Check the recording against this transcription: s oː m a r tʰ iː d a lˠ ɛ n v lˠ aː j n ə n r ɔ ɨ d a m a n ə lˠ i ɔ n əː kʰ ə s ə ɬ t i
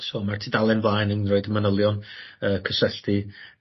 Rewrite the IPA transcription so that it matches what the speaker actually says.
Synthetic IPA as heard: s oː m a r tʰ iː d a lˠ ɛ n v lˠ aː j n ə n r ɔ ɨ d ə m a n ə lˠ j ɔ n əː kʰ ə s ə ɬ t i